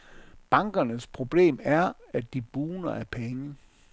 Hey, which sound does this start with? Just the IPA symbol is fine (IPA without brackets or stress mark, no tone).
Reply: b̥